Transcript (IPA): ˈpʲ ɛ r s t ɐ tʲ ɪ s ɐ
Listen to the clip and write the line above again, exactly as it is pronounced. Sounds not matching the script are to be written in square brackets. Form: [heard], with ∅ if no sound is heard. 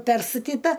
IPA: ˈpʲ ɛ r s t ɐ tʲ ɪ [t] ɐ